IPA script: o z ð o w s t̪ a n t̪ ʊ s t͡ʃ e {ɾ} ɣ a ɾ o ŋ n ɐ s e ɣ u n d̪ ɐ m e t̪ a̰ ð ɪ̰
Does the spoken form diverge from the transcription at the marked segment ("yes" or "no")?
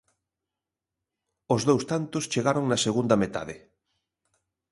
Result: yes